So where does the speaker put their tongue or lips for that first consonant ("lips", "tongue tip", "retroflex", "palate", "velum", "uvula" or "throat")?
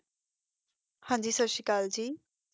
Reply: throat